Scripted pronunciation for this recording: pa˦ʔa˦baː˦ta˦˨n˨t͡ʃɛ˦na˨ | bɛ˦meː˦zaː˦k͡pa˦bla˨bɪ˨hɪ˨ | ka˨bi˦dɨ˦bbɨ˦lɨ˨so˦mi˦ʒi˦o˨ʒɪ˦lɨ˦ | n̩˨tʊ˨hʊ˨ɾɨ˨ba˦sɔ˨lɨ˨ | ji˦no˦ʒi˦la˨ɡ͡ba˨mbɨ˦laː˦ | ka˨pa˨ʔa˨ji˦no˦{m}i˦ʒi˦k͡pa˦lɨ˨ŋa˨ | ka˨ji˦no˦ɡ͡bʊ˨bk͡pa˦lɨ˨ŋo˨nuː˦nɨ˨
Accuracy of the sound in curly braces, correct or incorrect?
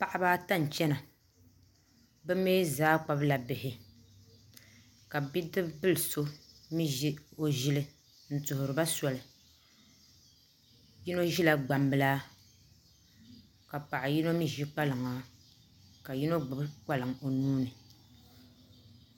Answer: correct